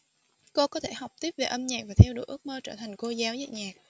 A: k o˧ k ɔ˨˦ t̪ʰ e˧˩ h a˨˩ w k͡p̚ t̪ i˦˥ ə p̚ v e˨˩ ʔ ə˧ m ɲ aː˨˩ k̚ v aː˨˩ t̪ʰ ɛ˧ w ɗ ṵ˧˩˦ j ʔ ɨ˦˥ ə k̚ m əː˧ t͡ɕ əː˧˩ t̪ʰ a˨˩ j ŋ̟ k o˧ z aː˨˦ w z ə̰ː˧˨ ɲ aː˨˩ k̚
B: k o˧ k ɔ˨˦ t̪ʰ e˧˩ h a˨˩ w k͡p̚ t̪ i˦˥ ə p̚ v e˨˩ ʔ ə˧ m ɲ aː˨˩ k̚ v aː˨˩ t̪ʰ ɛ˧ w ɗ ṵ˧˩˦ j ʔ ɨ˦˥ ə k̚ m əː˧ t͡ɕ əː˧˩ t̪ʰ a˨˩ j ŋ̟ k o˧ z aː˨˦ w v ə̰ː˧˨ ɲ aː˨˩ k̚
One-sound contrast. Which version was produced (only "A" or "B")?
A